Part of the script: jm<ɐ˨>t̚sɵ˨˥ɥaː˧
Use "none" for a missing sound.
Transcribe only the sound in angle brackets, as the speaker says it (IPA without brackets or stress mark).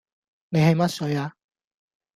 ɐ˥